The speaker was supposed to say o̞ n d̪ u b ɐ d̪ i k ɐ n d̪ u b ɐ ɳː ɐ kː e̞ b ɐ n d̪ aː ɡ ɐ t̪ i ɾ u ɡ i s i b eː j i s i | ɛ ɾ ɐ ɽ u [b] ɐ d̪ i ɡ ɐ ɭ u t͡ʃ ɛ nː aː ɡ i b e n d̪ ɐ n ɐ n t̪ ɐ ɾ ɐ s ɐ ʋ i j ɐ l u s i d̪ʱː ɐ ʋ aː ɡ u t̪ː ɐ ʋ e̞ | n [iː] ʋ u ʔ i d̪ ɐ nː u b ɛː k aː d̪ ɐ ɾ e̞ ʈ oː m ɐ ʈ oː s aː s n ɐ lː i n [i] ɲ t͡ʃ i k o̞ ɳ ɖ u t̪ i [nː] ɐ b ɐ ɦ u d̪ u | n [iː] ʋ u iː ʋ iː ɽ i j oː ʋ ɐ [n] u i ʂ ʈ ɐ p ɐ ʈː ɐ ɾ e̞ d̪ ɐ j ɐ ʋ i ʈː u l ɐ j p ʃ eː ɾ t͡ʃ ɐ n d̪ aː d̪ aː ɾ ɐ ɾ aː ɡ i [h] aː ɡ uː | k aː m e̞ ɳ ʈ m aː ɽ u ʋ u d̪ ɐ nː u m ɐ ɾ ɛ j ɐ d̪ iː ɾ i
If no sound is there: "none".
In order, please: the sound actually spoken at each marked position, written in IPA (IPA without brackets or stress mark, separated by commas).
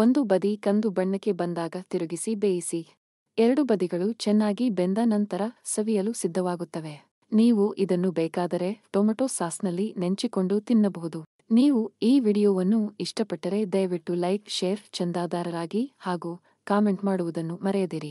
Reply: b, iː, e, nː, iː, nː, h